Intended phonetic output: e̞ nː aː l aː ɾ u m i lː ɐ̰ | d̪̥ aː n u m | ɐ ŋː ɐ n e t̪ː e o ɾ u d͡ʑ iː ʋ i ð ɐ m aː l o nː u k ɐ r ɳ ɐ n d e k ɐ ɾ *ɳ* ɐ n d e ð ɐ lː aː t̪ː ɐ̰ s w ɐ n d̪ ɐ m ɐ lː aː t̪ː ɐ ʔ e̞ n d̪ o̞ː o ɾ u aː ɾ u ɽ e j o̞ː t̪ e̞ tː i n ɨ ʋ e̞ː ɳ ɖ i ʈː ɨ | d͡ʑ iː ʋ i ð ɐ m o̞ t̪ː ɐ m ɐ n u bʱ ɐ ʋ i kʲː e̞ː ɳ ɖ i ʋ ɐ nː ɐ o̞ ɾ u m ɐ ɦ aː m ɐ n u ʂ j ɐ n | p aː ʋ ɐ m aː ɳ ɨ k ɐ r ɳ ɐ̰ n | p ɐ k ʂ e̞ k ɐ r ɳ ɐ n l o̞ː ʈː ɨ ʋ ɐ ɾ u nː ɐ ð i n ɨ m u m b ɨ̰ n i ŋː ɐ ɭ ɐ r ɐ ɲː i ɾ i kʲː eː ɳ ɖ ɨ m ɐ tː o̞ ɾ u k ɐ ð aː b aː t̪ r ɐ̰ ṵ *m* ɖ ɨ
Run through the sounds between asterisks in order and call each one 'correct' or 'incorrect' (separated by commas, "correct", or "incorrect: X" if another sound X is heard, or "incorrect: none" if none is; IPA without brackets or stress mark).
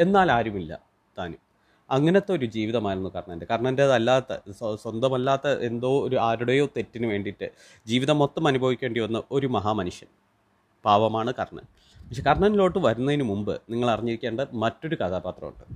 correct, incorrect: ɳ